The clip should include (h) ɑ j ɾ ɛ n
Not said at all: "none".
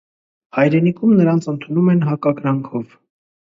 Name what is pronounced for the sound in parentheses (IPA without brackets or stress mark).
h